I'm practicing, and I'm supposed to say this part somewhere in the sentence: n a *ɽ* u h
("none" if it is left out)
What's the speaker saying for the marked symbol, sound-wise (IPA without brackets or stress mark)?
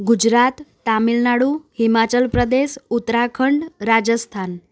ɽ